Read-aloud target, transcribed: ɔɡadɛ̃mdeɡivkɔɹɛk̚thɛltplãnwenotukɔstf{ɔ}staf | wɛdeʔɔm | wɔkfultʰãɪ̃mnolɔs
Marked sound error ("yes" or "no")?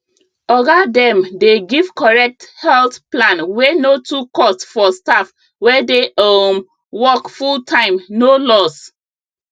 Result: no